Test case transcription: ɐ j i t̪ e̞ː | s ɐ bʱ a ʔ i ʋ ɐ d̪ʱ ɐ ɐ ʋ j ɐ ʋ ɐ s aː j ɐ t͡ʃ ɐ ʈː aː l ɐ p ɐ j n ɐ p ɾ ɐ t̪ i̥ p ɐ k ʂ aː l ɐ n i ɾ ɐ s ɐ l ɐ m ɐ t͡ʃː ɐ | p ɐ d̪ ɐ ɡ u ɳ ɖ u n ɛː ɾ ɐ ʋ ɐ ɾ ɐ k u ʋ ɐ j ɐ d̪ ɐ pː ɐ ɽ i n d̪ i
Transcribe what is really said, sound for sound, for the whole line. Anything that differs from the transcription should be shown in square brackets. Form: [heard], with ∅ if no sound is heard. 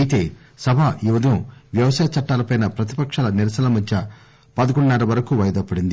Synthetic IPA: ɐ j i t̪ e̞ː | s ɐ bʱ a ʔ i ʋ ɐ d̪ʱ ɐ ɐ ʋ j ɐ ʋ ɐ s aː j ɐ t͡ʃ ɐ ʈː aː l ɐ p ɐ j n ɐ p ɾ ɐ t̪ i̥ p ɐ k ʂ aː l ɐ n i ɾ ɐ s ɐ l ɐ m ɐ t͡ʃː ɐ | p ɐ d̪ ɐ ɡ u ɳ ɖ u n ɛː ɾ ɐ ʋ ɐ ɾ ɐ k u ʋ ɐ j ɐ d̪ ɐ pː ɐ ɽ i n d̪ i

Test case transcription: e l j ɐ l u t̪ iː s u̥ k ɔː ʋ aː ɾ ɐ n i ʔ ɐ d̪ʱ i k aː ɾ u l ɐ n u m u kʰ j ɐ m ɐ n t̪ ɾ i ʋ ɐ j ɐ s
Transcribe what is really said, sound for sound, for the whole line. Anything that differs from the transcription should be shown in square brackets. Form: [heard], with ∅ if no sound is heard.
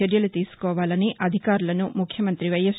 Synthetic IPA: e [ɾ] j ɐ l u t̪ iː s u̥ k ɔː ʋ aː [l] ɐ n i ʔ ɐ d̪ʱ i k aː ɾ u l ɐ n u m u kʰ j ɐ m ɐ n t̪ ɾ i ʋ ɐ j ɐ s

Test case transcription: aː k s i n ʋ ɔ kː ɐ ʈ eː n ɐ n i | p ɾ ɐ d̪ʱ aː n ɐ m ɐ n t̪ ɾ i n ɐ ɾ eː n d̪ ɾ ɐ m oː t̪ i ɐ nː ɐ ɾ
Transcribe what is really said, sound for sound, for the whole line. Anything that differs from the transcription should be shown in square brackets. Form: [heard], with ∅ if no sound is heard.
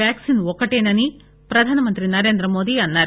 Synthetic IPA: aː k s i n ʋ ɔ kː ɐ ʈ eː n ɐ n i | p ɾ ɐ d̪ʱ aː n ɐ m ɐ n t̪ ɾ i n ɐ ɾ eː n d̪ ɾ ɐ m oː [d̪] i ɐ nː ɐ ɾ

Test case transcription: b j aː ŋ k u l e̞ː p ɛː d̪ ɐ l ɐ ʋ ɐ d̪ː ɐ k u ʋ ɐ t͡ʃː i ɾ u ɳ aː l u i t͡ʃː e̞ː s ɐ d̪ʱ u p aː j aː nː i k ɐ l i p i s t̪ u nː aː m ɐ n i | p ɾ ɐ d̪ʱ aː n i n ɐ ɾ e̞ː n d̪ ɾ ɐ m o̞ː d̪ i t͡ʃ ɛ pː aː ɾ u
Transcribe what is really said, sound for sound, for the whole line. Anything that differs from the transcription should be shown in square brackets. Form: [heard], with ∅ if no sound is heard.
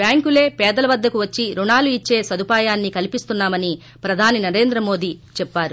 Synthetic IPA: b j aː ŋ k u l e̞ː p ɛː d̪ ɐ l ɐ ʋ ɐ d̪ː ɐ k u ʋ ɐ t͡ʃː i ɾ u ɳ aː l u i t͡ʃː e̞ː s ɐ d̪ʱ u p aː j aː nː i k ɐ l i p i s t̪ u nː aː m ɐ n i | p ɾ ɐ d̪ʱ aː n i n ɐ ɾ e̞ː n d̪ ɾ ɐ m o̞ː d̪ i t͡ʃ ɛ pː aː ɾ u

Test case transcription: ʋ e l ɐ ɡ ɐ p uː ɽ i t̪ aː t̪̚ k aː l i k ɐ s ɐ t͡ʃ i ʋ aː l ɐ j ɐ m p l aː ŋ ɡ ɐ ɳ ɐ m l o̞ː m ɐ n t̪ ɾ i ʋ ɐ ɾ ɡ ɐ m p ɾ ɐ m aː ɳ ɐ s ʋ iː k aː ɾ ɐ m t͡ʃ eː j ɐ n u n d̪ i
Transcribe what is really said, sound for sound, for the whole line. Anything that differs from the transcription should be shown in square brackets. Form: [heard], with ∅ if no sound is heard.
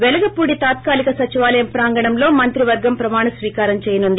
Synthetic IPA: ʋ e l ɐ ɡ ɐ p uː ɽ i t̪ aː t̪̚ k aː l i k ɐ s ɐ t͡ʃ i ʋ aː l ɐ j ɐ m p [ɾ] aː ŋ ɡ ɐ ɳ ɐ m l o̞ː m ɐ n t̪ ɾ i ʋ ɐ ɾ ɡ ɐ m p ɾ ɐ m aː ɳ ɐ s ʋ iː k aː ɾ ɐ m t͡ʃ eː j ɐ n u n d̪ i

